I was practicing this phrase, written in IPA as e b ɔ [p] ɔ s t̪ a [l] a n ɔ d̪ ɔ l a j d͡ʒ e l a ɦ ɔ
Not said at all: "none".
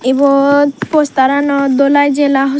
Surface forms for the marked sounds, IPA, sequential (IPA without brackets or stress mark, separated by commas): p, ɾ